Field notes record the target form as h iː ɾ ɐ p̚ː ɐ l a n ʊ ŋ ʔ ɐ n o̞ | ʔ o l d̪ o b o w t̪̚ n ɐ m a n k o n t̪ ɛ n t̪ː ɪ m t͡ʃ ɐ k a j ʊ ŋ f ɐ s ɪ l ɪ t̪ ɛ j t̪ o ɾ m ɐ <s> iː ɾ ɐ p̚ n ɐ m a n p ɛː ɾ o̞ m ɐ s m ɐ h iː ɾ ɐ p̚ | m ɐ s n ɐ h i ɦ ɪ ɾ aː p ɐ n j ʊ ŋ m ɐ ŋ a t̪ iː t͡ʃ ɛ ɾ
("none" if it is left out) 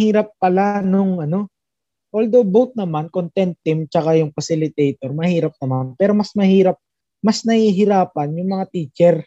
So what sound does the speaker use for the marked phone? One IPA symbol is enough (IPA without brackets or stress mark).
h